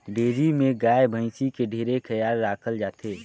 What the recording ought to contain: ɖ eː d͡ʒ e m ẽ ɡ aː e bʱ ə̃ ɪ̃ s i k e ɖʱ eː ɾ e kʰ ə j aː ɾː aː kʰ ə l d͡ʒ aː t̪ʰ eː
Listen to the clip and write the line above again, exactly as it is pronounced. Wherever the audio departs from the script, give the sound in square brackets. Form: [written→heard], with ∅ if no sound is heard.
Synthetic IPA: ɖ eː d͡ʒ [e→i] m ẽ ɡ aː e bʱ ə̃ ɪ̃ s i k e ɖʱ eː ɾ e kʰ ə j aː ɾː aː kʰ ə l d͡ʒ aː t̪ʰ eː